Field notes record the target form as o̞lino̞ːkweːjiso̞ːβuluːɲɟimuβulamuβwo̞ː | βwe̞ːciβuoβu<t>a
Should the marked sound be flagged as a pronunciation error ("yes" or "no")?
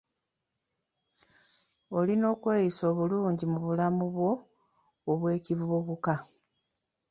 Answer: yes